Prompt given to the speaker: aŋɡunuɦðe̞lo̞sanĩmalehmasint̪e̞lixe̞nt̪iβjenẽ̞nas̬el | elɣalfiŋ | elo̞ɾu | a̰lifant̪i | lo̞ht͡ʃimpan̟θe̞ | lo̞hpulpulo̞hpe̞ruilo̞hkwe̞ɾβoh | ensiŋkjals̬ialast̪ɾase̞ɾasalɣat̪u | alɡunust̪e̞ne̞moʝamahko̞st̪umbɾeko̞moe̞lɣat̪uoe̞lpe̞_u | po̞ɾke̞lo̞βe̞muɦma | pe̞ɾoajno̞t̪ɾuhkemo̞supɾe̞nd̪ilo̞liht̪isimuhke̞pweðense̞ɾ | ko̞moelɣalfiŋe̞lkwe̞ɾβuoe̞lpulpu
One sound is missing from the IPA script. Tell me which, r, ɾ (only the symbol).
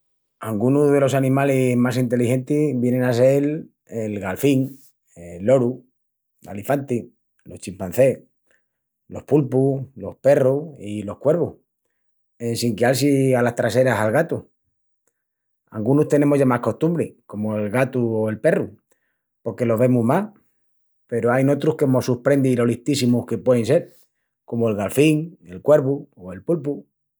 r